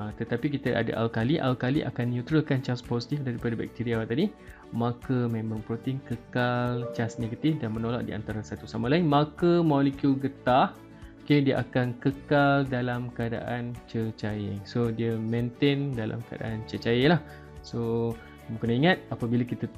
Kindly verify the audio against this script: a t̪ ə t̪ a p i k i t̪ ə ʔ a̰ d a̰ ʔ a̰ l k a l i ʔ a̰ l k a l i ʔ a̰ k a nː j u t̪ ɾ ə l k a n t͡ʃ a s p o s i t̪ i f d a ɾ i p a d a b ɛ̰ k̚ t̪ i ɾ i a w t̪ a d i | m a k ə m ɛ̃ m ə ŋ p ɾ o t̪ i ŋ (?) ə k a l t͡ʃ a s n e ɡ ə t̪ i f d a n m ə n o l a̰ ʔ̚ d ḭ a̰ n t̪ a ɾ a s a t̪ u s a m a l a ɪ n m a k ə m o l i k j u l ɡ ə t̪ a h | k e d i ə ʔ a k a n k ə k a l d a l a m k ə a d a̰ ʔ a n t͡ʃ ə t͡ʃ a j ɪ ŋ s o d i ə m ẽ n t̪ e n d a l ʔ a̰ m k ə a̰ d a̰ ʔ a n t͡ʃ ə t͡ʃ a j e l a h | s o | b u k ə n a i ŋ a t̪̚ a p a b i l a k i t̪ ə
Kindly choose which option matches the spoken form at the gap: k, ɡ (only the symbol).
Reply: k